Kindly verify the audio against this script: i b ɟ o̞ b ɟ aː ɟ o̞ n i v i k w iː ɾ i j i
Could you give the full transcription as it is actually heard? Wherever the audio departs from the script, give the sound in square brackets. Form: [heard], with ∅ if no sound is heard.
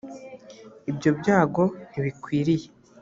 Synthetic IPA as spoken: i b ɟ o̞ b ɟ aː [ɡ] o̞ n i [β] i k w iː ɾ i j [e]